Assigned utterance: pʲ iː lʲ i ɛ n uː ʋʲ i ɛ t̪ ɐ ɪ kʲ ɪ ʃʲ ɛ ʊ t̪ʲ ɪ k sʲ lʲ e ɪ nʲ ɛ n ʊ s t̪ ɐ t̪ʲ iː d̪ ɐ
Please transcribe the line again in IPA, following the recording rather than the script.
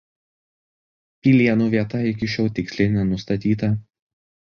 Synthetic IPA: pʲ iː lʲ i ɛ n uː ʋʲ i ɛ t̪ ɐ ɪ kʲ ɪ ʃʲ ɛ ʊ t̪ʲ ɪ k sʲ lʲ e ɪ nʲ ɛ n ʊ s t̪ ɐ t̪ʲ iː t̪ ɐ